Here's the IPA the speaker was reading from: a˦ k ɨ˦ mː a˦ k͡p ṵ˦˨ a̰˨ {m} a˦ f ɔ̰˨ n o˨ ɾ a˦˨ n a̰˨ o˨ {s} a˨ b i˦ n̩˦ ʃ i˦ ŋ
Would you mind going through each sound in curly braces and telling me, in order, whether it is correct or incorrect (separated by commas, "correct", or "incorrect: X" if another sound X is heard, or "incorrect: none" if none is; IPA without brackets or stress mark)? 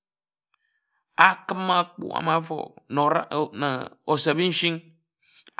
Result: correct, correct